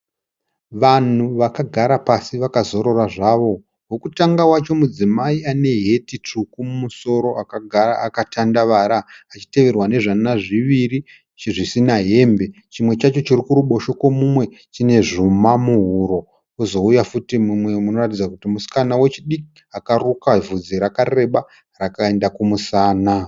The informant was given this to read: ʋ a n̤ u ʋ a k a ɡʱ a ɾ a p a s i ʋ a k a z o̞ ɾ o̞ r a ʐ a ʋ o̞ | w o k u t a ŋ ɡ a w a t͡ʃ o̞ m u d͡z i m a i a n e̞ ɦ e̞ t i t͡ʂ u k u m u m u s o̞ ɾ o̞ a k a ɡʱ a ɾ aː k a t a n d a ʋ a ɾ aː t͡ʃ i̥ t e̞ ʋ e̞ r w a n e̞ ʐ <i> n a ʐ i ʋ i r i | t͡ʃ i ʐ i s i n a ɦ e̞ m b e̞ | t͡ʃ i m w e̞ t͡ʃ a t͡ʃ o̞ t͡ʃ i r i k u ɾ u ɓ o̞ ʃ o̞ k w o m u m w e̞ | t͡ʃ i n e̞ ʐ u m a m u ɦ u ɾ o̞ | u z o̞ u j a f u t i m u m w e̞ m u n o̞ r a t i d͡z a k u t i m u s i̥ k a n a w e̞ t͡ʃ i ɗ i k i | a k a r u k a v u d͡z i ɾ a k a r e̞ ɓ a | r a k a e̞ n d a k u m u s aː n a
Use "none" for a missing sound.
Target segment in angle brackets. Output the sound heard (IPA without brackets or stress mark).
a